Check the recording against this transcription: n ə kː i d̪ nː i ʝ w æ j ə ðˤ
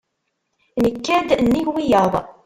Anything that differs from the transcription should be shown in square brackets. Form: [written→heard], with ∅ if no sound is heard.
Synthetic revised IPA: n ə kː [i→æ] d̪ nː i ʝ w [æ→i] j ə ðˤ